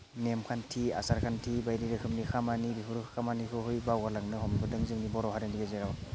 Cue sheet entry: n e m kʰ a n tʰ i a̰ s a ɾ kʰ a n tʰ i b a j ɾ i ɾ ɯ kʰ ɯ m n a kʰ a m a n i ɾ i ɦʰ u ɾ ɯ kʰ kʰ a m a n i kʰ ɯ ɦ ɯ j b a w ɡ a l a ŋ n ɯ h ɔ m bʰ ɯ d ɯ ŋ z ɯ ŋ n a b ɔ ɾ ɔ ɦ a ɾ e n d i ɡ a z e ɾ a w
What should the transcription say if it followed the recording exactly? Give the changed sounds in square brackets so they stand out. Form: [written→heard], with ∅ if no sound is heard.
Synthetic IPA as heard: n e m kʰ a n tʰ i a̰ s a ɾ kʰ a n tʰ i b a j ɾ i ɾ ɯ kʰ ɯ m n [a→i] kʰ a m a n i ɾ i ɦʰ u ɾ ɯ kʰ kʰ a m a n i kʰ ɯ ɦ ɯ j b a w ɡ a l a ŋ n ɯ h ɔ m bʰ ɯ d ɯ ŋ z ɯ ŋ n [a→i] b ɔ ɾ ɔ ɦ a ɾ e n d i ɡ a z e ɾ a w